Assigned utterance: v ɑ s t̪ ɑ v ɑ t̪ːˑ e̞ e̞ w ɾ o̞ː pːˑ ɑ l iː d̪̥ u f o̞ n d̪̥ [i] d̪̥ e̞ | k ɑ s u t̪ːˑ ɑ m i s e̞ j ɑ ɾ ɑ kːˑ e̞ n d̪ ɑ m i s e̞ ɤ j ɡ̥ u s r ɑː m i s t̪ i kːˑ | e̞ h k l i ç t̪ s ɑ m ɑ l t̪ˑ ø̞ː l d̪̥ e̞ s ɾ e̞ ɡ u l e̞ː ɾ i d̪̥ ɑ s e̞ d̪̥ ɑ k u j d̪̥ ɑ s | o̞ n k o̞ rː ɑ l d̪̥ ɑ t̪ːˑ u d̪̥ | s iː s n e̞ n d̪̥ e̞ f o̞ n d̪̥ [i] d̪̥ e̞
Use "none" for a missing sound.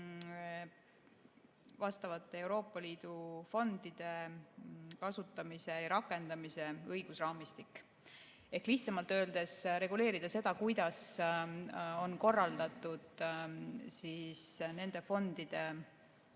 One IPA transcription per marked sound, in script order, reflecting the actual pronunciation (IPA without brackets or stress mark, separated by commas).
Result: i, i